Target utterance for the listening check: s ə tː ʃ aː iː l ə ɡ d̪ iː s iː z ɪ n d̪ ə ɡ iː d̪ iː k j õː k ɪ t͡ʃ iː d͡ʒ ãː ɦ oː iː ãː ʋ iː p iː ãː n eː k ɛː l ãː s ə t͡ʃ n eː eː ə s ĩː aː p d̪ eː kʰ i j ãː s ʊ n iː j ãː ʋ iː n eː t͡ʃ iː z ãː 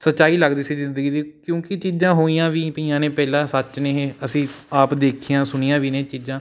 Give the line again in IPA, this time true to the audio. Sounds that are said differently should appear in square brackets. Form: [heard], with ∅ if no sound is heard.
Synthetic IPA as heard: s ə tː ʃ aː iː l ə ɡ d̪ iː s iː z ɪ n d̪ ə ɡ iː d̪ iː k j õː k ɪ t͡ʃ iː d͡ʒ ãː ɦ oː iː ãː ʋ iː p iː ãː n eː [p] ɛː l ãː s ə t͡ʃ n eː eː ə s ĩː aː p d̪ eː kʰ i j ãː s ʊ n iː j ãː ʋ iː n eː t͡ʃ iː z ãː